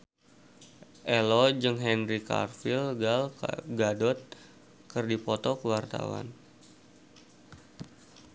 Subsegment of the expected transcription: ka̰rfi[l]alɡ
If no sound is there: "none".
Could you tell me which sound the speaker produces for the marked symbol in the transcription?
l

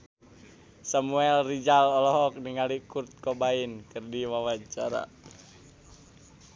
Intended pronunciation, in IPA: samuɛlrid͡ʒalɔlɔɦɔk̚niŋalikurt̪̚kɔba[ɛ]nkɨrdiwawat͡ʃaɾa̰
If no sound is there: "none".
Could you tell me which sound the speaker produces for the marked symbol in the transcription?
i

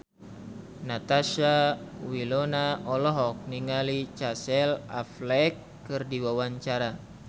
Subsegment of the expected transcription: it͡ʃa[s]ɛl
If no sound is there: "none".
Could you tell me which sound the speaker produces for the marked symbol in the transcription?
s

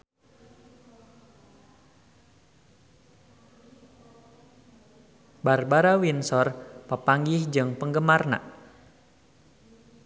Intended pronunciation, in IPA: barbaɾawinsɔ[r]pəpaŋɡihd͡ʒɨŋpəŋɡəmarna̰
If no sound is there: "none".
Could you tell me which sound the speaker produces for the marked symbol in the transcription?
r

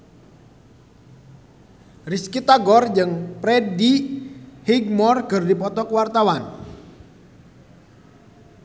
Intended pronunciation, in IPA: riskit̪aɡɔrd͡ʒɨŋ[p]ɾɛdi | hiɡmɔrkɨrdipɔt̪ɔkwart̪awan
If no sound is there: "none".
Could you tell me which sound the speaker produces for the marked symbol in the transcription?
p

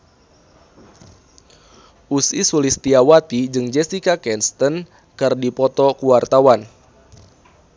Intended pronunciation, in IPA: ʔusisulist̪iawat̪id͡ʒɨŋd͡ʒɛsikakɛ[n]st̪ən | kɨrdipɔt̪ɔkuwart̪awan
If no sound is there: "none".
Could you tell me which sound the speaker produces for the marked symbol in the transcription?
n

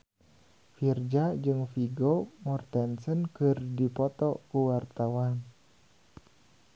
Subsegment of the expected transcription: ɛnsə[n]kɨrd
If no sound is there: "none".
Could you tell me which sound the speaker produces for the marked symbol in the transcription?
n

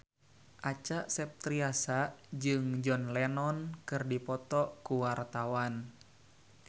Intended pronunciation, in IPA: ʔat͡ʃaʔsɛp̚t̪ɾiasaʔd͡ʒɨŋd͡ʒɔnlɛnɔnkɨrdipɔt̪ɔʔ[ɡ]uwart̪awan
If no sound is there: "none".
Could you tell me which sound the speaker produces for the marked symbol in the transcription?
k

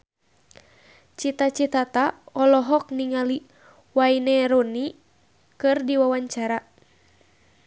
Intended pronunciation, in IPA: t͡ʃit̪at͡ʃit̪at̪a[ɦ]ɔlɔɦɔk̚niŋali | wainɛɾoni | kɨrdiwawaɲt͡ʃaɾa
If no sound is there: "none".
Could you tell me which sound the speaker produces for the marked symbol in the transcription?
none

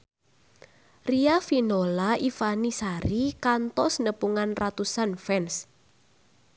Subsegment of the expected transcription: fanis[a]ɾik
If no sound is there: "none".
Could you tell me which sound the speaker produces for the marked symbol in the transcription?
a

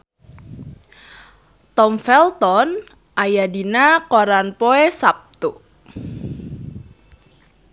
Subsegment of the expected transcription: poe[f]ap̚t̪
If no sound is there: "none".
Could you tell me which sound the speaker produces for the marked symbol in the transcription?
s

